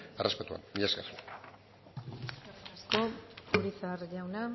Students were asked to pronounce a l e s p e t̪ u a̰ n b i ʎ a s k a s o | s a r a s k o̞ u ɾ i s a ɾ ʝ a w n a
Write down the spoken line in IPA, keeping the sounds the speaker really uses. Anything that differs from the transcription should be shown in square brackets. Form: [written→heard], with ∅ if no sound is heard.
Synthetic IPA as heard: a [l→r] e s p e t̪ u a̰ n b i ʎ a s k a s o | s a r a s k o̞ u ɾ i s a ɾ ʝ a w n a